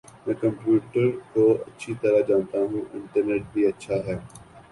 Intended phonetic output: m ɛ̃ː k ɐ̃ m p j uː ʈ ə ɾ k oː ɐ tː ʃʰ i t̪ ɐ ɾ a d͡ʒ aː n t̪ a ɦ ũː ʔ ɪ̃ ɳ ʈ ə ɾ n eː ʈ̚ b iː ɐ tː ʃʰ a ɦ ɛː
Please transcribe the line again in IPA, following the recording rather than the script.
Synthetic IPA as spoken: m ɛ̃ː k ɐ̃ m p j uː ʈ ə ɾ k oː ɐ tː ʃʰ i t̪ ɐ ɾ a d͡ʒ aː n t̪ a ɦ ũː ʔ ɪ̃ ɳ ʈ ə ɾ n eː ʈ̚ b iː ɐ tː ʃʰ a ɦ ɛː